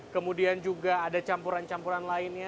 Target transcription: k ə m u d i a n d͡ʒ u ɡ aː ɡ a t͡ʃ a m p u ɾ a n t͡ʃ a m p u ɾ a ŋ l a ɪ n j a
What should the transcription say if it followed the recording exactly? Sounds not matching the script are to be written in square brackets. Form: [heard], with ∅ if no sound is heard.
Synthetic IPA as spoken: k ə m u d i a n d͡ʒ u ɡ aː [d] a t͡ʃ a m p u ɾ a n t͡ʃ a m p u ɾ a [n] l a ɪ n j a